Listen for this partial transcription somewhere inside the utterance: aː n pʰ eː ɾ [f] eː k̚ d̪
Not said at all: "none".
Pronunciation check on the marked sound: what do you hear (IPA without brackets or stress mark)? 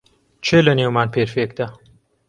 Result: f